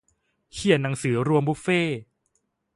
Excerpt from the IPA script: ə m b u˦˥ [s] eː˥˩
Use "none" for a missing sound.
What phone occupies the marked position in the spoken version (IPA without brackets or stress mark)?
f